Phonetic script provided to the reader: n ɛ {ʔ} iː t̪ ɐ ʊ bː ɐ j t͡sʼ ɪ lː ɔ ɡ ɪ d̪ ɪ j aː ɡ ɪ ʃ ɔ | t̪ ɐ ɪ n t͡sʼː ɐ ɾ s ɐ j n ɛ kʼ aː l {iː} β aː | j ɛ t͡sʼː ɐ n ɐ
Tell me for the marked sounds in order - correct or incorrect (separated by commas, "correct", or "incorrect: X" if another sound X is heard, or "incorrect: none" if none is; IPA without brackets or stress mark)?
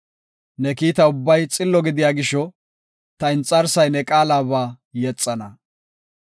incorrect: k, incorrect: aː